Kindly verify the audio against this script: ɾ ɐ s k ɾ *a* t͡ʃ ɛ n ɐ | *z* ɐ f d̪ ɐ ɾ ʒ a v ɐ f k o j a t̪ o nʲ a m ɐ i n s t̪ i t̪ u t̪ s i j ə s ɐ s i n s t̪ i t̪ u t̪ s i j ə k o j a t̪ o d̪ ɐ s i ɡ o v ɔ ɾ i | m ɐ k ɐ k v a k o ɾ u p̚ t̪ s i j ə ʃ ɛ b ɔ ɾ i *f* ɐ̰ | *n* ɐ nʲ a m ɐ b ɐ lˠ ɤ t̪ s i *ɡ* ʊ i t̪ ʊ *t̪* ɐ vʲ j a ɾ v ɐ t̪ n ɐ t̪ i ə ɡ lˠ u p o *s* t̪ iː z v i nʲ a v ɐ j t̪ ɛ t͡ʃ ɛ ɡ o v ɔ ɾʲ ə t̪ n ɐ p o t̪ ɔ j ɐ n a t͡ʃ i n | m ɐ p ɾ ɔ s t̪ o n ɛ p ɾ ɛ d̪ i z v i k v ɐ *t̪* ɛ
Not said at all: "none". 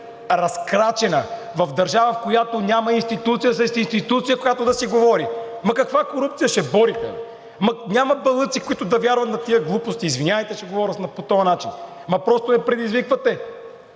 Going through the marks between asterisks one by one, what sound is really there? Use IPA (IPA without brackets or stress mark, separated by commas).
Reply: a, v, x, m, k, d̪, s, t̪